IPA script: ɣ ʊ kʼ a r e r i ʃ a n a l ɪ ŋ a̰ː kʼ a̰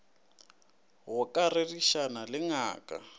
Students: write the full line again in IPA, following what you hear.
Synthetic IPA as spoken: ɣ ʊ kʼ a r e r i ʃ a n a l ɪ ŋ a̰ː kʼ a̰